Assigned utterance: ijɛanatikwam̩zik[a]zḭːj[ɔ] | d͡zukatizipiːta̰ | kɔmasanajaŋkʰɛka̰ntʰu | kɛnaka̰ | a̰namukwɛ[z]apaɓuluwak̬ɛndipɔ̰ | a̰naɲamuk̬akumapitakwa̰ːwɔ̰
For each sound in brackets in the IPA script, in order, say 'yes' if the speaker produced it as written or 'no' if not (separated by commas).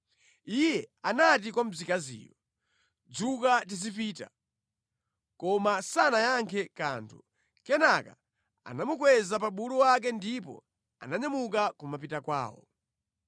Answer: yes, yes, yes